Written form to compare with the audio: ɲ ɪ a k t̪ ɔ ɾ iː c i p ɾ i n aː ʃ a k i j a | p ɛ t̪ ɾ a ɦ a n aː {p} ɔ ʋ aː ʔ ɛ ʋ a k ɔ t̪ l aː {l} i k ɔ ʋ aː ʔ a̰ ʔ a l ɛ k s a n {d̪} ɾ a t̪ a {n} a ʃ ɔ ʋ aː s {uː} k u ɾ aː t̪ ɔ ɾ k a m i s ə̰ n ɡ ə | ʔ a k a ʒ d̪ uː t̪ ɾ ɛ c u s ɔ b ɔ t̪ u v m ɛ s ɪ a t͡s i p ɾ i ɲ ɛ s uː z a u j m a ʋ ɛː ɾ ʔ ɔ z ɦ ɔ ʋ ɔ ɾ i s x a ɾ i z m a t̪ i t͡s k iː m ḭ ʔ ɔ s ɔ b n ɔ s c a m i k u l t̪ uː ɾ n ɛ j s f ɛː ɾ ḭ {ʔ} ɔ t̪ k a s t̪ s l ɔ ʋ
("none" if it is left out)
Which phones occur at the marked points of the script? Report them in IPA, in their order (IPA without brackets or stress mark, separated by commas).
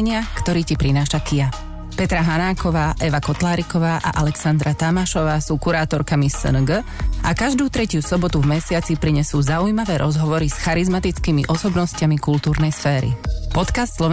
k, ɾ, d̪, m, uː, p